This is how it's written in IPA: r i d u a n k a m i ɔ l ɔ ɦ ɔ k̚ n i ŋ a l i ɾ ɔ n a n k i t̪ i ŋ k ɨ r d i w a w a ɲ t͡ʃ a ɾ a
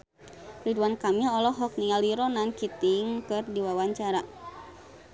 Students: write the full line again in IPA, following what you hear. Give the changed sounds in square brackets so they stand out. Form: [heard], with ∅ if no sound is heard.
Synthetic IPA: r i d u a n k a m i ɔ l ɔ ɦ ɔ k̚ n i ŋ a l i ɾ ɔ n a n k i t̪ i ŋ k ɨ r d i w a w a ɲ t͡ʃ a ɾ a